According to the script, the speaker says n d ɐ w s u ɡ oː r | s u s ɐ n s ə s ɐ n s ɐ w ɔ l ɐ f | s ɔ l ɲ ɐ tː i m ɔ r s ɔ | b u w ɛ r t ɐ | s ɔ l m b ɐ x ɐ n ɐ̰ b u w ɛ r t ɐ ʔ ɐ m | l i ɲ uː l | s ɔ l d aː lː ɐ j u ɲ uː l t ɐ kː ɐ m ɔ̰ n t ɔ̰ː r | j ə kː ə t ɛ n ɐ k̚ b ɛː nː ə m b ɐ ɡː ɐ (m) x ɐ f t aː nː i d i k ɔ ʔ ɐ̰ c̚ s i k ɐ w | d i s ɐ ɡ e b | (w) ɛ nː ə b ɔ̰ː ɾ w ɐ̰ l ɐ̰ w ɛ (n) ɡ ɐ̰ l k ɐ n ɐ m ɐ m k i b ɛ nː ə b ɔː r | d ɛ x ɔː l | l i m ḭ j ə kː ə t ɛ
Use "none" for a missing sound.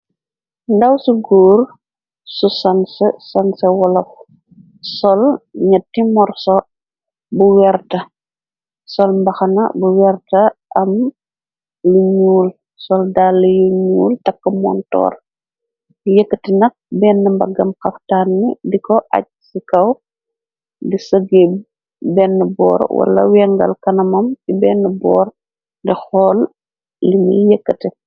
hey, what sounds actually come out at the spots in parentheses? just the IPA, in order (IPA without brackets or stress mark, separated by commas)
m, b, ŋ